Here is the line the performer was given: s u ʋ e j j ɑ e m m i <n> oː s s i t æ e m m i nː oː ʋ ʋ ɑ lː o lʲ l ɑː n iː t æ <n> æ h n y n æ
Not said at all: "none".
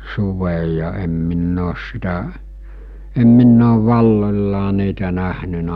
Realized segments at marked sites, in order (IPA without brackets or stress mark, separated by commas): nː, n